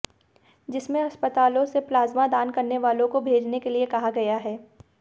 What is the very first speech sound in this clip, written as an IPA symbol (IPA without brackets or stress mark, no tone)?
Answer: d͡ʒ